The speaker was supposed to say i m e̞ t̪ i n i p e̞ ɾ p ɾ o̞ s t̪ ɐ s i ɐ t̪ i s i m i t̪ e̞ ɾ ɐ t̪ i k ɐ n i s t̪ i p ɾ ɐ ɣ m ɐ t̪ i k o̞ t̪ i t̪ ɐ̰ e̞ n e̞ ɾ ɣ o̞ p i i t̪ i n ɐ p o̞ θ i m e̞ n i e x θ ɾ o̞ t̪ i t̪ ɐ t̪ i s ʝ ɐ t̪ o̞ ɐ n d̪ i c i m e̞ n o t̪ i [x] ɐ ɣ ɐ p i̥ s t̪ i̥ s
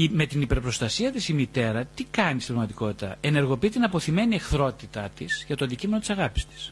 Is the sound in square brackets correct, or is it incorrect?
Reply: incorrect